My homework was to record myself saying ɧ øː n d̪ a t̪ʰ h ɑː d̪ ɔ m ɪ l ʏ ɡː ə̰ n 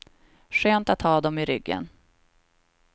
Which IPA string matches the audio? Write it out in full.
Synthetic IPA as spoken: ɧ øː n t̪ a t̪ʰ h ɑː d̪ ɔ m ɪ ɾ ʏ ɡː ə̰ n